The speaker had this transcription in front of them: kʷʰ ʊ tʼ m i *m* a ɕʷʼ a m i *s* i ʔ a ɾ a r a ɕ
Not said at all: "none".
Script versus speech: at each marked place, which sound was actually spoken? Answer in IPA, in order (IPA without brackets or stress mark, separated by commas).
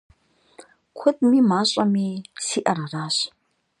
m, s